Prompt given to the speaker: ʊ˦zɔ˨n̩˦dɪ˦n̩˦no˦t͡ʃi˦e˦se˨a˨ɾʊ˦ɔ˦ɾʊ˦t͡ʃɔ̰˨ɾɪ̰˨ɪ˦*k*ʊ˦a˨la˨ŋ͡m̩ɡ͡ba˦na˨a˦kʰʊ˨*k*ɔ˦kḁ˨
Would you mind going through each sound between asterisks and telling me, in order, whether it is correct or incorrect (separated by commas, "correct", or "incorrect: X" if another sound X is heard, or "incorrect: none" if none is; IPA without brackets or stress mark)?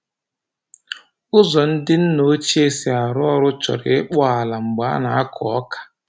incorrect: k͡p, incorrect: none